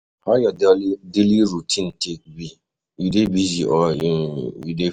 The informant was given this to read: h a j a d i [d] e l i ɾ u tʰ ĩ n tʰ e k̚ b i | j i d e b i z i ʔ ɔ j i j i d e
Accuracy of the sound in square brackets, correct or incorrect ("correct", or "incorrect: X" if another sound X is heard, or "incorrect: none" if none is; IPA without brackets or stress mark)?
correct